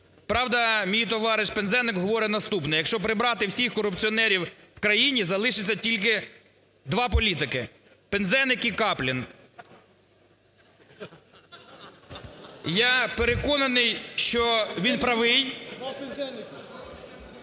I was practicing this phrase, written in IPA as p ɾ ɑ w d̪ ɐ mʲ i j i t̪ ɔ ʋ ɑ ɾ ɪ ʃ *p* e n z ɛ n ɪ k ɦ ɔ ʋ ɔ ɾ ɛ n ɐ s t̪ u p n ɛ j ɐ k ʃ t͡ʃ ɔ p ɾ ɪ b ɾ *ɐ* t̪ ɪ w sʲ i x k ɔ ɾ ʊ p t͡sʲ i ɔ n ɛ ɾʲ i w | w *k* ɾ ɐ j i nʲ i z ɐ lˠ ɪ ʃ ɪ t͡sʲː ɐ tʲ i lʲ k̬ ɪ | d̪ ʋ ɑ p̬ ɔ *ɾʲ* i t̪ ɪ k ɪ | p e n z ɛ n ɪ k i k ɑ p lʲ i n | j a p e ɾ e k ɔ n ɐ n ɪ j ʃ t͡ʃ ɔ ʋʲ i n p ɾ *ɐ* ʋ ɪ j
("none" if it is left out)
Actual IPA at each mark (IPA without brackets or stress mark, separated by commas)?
p, ɑ, k, lʲ, ɐ